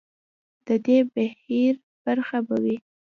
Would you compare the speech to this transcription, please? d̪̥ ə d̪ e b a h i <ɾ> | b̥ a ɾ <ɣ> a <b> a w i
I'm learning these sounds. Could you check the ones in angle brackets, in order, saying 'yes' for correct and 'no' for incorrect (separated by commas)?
yes, no, yes